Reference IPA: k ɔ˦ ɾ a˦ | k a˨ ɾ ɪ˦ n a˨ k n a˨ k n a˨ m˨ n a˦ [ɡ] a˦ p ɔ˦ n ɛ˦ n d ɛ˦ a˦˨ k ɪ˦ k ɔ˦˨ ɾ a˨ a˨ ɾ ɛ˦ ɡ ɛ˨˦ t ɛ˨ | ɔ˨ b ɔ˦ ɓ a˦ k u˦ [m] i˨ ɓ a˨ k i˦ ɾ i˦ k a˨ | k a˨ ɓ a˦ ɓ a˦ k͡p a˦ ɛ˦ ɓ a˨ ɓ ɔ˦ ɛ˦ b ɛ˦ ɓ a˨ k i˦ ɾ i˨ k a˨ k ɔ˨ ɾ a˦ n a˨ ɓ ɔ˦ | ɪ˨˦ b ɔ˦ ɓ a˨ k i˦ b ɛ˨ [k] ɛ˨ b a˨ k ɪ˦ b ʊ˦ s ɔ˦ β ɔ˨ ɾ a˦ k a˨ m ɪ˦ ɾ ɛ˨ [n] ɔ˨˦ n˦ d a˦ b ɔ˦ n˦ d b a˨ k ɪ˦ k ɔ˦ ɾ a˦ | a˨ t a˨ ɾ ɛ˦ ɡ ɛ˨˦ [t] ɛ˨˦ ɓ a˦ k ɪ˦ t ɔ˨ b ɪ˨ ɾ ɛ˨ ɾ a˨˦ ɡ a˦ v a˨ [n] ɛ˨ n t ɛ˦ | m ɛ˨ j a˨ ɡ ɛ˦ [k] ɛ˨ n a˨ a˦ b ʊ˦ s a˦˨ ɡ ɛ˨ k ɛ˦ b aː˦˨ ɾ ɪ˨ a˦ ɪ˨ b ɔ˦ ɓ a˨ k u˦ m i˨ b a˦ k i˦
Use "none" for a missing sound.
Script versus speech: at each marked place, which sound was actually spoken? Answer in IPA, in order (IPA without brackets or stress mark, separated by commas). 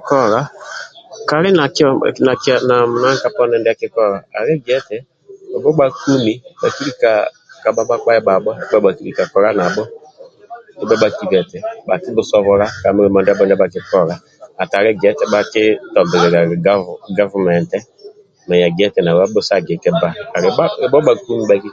k, m, t, m, t, m, t